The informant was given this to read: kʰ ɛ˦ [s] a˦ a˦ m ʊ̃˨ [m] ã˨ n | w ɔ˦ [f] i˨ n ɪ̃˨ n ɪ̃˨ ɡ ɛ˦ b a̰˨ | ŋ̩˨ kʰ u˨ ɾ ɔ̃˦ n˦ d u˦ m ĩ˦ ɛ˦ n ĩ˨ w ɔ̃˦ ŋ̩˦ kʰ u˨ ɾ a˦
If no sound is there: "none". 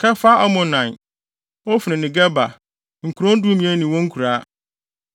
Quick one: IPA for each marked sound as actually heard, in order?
f, n, f

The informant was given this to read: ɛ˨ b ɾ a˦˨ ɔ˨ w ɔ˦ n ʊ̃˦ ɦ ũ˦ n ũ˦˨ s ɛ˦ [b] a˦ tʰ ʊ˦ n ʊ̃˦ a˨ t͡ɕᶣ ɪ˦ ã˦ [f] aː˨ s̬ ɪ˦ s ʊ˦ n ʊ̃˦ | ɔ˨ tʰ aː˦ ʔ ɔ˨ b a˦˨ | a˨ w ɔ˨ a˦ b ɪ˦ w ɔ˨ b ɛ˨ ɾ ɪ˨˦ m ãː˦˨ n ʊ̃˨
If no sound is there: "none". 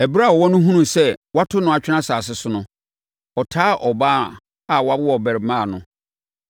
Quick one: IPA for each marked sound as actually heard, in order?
w, s

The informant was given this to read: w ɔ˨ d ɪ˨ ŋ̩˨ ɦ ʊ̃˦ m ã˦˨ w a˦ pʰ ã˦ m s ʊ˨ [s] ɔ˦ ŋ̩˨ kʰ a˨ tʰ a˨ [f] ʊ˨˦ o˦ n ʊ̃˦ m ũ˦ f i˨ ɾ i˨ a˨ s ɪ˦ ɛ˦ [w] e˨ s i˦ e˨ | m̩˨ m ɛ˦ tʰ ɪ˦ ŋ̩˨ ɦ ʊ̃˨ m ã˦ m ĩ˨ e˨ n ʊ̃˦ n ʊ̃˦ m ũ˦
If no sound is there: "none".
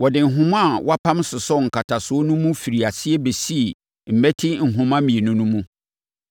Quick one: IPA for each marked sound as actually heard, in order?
s, s, b

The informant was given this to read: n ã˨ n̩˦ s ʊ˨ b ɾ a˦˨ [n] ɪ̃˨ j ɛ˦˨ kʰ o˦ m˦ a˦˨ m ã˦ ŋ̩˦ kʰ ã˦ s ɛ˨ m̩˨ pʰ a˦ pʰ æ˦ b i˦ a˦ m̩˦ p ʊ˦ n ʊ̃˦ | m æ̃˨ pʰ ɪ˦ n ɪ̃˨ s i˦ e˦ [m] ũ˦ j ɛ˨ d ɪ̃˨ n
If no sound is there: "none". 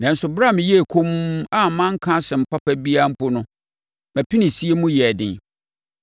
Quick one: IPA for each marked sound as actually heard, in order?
m, m

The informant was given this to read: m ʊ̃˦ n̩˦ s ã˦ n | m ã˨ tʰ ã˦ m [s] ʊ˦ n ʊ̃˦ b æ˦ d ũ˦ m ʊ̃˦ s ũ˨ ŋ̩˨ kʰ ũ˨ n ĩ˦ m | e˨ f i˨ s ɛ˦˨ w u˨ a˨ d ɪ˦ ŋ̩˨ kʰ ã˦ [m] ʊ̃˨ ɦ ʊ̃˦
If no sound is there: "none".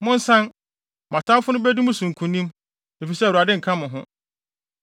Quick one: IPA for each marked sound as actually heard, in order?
f, m

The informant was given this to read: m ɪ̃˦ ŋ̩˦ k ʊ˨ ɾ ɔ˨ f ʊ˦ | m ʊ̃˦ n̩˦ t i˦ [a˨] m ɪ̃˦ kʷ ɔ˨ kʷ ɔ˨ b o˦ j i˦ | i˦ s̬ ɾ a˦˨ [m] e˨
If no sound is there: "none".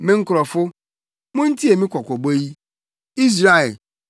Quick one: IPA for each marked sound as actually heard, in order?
e˨, none

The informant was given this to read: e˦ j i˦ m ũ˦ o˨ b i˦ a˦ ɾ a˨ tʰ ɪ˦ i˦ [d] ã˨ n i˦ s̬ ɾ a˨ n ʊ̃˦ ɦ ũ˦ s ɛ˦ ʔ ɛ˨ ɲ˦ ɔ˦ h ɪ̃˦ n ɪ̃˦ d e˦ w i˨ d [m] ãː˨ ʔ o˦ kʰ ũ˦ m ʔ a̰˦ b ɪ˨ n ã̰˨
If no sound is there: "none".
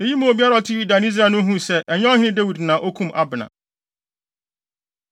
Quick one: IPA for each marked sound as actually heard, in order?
d, n

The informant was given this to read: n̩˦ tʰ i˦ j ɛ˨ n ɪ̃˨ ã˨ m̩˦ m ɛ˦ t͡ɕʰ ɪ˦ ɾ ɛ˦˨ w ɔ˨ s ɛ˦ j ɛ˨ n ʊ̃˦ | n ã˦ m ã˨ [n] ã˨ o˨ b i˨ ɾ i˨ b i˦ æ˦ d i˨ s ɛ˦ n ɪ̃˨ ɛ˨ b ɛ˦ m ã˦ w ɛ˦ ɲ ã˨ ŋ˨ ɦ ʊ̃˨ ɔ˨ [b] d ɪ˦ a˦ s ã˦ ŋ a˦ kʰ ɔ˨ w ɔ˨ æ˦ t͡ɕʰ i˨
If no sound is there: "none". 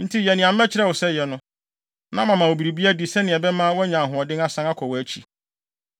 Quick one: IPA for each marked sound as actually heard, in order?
m, none

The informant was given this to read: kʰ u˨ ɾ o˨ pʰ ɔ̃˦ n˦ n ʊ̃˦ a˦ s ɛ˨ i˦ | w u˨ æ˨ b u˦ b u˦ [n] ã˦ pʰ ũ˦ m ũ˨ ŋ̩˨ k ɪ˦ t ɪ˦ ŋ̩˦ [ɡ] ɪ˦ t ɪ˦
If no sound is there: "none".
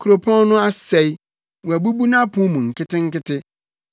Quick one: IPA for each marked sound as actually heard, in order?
n, k

